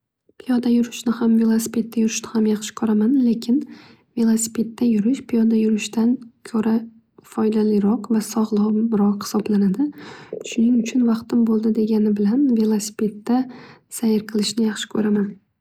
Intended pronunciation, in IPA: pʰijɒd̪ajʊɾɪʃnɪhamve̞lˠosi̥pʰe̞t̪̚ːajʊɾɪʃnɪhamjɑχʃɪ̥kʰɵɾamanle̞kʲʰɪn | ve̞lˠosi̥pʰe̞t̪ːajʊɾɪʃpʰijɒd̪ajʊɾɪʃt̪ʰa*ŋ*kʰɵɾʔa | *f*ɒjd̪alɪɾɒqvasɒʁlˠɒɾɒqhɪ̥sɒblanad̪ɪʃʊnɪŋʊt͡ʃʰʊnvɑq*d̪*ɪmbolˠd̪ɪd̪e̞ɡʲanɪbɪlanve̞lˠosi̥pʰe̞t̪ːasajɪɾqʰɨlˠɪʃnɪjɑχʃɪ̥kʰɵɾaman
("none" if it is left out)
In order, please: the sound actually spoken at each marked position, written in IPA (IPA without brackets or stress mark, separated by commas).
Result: n, f, t̪